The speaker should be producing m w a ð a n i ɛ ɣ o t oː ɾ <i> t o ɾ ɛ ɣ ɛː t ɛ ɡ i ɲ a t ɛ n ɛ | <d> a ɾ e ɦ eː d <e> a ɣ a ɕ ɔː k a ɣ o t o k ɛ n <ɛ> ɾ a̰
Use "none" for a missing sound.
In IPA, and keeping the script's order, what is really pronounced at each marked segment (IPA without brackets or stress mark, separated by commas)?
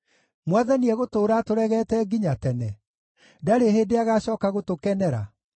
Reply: a, d, e, ɛ